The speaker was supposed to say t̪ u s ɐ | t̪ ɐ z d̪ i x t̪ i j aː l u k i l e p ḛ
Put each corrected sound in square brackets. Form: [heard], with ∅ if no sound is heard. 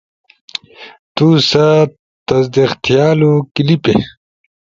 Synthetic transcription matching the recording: t̪ u s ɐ | t̪ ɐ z d̪ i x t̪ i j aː l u k i l [i] p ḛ